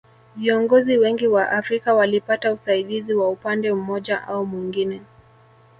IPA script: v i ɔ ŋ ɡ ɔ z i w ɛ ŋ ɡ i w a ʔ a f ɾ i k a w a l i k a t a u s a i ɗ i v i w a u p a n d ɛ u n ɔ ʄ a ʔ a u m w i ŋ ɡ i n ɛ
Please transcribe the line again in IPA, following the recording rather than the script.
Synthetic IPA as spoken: v i ɔ ŋ ɡ ɔ z i w ɛ ŋ ɡ i w a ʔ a f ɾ i k a w a l i p a t a u s a i ɗ i z i w a u p a n d ɛ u m ɔ ʄ a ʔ a u m w i ŋ ɡ i n ɛ